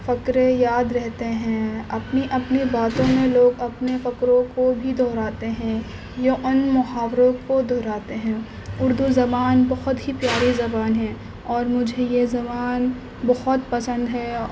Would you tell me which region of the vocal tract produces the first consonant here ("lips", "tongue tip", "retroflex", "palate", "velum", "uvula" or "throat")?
lips